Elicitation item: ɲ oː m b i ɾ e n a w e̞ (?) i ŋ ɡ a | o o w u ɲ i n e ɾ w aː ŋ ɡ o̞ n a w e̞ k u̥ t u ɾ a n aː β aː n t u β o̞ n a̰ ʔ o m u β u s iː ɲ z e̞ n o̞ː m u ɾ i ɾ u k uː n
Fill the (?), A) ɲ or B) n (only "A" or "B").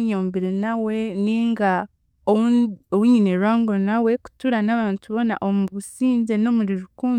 B